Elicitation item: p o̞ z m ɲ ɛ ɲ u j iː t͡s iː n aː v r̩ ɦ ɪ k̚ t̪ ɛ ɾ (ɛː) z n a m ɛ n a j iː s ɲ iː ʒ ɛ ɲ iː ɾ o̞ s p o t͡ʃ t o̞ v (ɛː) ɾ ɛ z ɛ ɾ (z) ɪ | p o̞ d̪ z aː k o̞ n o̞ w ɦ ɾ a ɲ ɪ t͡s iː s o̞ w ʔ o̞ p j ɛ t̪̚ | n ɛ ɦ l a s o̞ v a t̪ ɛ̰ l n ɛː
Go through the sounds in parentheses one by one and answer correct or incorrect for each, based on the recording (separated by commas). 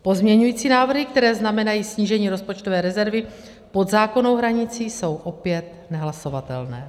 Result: correct, correct, incorrect